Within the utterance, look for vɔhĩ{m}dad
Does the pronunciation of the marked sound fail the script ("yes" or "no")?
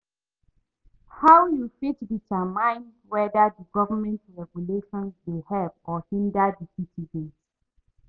yes